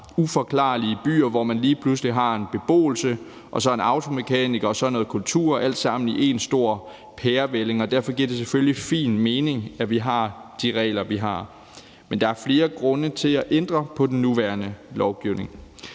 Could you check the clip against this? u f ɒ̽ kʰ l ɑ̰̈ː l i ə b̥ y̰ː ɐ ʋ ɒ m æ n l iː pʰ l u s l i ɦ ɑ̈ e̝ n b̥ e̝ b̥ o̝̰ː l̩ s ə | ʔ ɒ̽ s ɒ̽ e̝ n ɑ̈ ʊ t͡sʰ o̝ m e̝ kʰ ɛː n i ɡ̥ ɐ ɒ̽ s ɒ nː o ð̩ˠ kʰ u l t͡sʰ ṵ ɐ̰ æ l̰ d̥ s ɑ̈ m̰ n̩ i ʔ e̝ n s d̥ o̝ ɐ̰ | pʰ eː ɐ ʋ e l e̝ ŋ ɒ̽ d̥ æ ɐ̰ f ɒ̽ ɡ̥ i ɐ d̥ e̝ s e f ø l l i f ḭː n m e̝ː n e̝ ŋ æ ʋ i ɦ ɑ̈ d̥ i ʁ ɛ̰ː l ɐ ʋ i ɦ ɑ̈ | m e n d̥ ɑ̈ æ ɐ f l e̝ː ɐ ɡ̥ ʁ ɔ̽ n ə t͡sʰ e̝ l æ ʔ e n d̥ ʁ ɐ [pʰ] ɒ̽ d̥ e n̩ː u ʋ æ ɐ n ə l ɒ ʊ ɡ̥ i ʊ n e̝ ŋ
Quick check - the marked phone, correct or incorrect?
correct